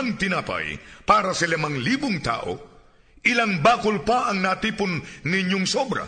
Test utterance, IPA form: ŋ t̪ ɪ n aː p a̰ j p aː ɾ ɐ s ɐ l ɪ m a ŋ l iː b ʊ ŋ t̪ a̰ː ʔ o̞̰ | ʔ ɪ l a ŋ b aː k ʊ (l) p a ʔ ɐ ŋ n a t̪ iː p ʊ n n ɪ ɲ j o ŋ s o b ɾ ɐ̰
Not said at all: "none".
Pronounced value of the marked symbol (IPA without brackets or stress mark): l